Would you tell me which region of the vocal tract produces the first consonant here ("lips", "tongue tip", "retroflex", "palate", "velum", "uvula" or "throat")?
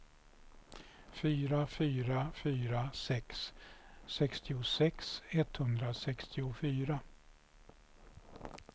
lips